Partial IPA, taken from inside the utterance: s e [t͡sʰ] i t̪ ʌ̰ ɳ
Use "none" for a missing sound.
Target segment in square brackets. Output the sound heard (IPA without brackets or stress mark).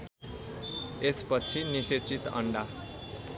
t͡s